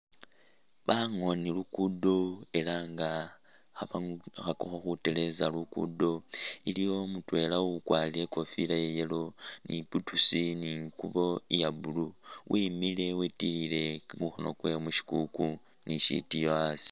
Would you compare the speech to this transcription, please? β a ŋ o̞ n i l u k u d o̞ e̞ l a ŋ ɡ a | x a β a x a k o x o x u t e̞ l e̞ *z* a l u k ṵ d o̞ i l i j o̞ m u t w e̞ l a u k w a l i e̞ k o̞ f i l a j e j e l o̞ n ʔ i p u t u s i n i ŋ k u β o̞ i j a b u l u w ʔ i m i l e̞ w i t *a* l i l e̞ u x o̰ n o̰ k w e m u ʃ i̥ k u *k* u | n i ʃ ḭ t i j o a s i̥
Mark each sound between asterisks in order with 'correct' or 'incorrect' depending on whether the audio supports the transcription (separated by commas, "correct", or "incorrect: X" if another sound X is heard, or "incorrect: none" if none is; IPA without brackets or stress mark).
correct, incorrect: i, correct